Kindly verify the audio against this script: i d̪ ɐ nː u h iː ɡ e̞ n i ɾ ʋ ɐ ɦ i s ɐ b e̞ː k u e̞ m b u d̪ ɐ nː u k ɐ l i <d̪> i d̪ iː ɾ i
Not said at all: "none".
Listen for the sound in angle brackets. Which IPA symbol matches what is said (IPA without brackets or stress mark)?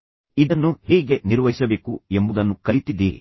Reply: t̪